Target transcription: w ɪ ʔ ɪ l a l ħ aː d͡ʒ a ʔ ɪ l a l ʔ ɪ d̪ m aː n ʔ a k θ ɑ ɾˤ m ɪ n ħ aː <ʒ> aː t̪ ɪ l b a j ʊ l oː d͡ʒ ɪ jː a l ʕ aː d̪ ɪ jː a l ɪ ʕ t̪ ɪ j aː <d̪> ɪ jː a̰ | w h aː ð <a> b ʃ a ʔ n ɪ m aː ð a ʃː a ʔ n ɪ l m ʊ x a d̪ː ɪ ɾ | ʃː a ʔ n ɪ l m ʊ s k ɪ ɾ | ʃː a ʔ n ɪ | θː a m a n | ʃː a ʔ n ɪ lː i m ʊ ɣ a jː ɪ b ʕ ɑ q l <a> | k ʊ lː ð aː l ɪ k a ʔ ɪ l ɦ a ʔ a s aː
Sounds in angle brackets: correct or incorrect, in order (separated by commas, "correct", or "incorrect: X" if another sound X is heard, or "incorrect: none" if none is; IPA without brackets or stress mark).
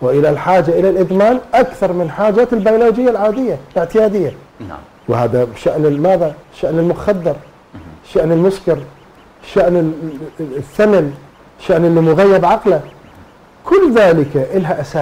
incorrect: d͡ʒ, correct, correct, correct